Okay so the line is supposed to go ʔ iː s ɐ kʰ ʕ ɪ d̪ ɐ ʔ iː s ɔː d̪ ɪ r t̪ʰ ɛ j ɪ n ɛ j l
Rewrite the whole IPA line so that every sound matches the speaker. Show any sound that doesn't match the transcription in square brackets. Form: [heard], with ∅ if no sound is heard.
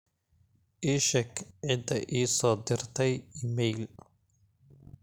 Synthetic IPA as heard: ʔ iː [ʃ] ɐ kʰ ʕ ɪ d̪ ɐ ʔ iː s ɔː d̪ ɪ r t̪ʰ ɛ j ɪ [m] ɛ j l